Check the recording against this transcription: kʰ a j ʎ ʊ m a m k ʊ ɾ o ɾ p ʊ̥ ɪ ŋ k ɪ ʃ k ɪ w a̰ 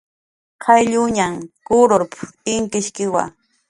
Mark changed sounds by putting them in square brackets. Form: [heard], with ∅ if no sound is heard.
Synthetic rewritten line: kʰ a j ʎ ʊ [ɲ] a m k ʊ ɾ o ɾ p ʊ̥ ɪ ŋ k ɪ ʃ k ɪ w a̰